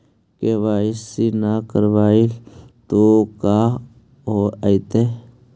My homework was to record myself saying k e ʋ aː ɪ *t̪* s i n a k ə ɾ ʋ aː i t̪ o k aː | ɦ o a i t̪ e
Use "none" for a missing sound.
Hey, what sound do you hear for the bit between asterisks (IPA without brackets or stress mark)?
none